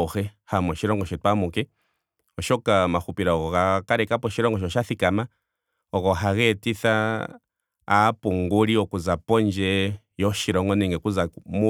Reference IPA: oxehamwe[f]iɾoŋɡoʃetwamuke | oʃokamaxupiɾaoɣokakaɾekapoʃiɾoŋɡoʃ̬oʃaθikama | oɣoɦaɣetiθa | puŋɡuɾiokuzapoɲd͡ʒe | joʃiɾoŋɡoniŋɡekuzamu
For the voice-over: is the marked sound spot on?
no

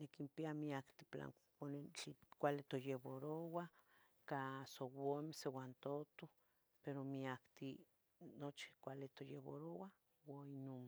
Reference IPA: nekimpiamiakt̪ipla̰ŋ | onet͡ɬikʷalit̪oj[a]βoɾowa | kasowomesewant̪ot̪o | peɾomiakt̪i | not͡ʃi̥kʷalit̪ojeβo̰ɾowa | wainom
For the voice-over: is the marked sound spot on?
no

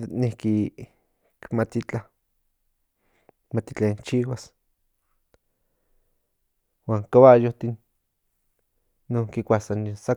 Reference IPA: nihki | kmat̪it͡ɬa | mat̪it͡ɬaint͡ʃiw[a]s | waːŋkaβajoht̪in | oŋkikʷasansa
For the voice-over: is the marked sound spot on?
yes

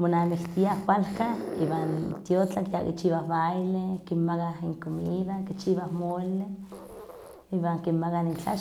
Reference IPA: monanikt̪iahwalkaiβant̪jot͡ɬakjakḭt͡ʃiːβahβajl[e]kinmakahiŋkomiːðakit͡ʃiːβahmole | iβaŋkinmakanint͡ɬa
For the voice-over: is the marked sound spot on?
yes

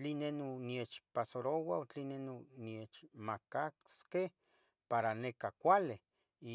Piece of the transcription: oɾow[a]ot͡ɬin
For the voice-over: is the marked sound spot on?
yes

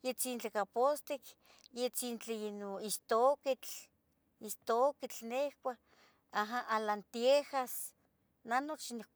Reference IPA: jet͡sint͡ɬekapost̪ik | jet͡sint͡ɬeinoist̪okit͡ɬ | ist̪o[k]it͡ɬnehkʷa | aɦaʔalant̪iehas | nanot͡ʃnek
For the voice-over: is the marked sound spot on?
yes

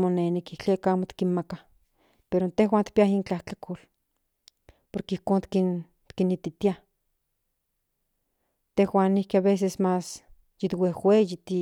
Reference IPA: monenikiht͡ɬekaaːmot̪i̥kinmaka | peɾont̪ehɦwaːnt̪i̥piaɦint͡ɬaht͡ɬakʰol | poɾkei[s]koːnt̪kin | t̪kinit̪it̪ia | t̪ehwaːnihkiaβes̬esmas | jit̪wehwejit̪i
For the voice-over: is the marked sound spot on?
no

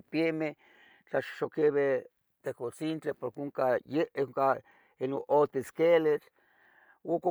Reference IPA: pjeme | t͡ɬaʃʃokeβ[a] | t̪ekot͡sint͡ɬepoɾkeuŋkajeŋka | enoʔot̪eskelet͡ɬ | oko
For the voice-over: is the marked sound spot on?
no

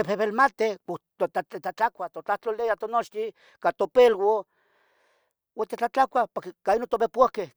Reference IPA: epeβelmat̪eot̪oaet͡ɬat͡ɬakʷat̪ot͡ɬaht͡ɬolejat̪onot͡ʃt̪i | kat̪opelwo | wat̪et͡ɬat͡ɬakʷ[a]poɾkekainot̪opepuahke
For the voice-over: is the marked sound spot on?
yes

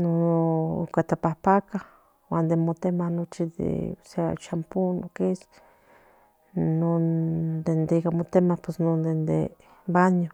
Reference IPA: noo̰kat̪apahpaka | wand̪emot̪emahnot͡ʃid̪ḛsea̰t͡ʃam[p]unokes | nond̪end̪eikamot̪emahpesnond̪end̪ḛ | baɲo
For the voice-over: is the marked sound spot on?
yes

